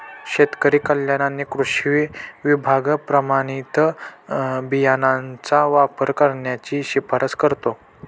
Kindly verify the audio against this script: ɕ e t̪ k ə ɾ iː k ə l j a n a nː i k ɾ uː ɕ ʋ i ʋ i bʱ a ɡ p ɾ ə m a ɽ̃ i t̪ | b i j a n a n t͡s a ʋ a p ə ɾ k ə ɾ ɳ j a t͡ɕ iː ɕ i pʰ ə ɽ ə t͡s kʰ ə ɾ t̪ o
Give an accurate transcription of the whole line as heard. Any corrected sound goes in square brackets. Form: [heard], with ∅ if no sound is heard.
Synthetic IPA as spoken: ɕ e t̪ k ə ɾ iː k ə l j a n a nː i k ɾ [u] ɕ ʋ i ʋ i bʱ a ɡ p ɾ ə m a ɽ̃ i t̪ | b i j a n a n t͡s a ʋ a p ə ɾ k ə ɾ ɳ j a t͡ɕ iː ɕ i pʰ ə [ɾ] ə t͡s [k] ə ɾ t̪ o